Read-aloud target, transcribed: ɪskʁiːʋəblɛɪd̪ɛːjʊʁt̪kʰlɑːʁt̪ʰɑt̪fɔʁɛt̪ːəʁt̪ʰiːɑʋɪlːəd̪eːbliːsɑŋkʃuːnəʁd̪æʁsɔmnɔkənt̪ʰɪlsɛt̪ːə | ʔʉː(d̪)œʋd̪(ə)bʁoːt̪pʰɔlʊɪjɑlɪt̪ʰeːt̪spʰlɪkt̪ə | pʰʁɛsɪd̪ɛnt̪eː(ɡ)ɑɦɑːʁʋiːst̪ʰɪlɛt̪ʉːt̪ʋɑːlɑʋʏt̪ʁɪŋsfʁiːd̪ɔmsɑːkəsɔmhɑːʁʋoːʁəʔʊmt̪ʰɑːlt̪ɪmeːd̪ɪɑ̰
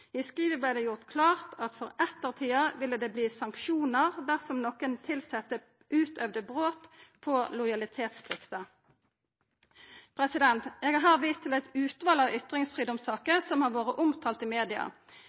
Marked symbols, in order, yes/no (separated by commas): no, yes, yes